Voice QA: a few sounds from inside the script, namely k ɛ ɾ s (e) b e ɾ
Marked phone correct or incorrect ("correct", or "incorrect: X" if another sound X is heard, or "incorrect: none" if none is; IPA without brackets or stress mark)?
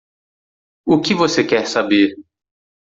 incorrect: a